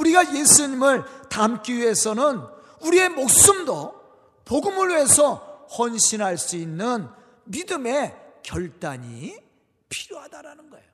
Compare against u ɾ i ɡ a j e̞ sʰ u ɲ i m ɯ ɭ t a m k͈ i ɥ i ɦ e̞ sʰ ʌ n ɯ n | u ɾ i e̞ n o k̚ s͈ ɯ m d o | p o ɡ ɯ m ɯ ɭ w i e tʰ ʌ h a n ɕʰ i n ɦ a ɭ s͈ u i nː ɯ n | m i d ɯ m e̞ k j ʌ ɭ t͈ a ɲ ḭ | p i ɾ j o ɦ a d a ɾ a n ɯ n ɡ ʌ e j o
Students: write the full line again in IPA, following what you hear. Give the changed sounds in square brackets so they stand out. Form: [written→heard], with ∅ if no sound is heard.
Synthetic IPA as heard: u ɾ i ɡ a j e̞ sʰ u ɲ i m ɯ ɭ t a m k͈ i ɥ i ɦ e̞ sʰ ʌ n ɯ n | u ɾ i e̞ [n→m] o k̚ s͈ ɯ m d o | p o ɡ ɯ m ɯ ɭ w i e [tʰ→sʰ] ʌ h [a→ʌ] n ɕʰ i n ɦ a ɭ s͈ u i nː ɯ n | m i d ɯ m e̞ k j ʌ ɭ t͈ a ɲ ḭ | [p→pʰ] i ɾ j o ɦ a d a ɾ a n ɯ n ɡ ʌ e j o